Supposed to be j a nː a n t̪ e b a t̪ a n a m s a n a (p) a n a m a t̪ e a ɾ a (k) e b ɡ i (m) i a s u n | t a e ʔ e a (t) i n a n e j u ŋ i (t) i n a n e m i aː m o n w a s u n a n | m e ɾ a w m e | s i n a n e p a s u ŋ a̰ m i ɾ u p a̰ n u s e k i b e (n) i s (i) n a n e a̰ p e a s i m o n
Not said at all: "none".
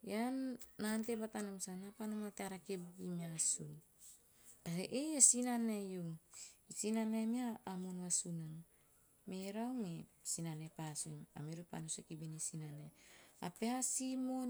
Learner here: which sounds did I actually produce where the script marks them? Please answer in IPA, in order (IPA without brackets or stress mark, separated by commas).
p, k, m, s, s, n, i